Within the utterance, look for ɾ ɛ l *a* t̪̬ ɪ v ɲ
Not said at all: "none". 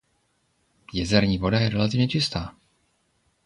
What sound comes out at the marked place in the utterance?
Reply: a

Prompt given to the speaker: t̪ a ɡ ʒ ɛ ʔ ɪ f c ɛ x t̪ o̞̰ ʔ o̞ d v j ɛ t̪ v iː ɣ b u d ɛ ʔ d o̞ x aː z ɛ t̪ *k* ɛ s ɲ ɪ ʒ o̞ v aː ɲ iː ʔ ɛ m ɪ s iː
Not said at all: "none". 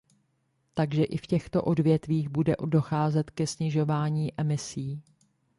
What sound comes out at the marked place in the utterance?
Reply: k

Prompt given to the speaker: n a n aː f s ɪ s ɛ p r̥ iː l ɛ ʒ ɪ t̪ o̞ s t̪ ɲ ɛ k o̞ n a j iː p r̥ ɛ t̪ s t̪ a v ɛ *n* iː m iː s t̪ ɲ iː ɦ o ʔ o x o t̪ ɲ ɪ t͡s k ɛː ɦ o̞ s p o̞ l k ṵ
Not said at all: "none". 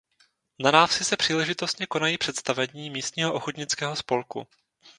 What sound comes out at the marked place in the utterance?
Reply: ɲ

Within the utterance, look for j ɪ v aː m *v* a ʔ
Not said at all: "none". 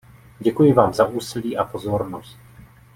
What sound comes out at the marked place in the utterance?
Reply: z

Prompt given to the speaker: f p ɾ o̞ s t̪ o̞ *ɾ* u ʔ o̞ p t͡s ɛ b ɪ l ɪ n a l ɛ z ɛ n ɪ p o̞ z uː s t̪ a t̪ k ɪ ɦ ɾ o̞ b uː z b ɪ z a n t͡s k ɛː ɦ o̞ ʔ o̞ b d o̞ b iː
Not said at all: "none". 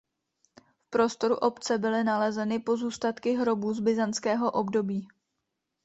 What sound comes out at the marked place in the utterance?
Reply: ɾ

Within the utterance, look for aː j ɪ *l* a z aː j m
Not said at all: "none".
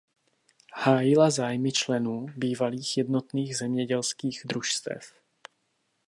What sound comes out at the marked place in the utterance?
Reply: l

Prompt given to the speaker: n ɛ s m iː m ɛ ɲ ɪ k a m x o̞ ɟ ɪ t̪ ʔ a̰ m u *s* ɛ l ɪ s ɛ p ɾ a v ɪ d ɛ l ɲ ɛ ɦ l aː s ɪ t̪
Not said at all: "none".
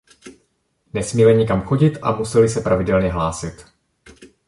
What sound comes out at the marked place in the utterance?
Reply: s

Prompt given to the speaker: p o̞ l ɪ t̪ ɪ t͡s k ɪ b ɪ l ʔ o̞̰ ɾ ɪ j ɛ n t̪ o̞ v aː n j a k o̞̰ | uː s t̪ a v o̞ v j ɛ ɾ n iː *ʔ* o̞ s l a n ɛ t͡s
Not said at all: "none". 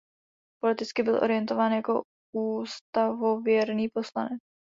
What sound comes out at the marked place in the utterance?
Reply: p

